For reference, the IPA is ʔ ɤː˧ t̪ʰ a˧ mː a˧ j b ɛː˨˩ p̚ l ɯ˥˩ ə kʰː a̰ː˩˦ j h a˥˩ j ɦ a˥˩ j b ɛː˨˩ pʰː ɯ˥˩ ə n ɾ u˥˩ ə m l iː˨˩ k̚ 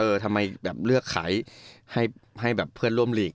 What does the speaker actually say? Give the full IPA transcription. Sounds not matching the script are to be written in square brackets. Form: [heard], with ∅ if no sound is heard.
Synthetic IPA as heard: ʔ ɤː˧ t̪ʰ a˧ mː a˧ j b ɛː˨˩ p̚ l ɯ˥˩ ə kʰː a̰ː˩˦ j h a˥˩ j ɦ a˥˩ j b ɛː˨˩ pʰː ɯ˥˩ ə n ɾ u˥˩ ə m l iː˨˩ k̚